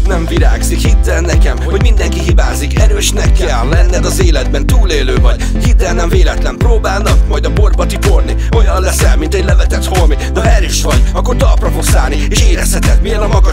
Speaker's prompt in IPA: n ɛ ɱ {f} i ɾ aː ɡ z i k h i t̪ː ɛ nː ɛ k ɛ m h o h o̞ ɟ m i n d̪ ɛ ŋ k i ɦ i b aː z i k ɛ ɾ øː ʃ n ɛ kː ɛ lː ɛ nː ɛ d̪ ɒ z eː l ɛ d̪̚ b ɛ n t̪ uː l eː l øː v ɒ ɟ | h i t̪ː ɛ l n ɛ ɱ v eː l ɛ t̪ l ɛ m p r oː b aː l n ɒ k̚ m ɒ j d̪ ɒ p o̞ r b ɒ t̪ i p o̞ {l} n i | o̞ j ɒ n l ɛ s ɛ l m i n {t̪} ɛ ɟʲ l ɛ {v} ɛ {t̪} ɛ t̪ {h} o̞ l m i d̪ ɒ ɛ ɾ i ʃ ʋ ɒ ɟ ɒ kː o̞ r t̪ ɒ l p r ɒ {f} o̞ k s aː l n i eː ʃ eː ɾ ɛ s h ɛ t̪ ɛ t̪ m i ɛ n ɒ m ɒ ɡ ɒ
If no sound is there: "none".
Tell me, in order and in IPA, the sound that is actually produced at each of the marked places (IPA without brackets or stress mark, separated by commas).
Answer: v, r, t̪, v, t̪, h, f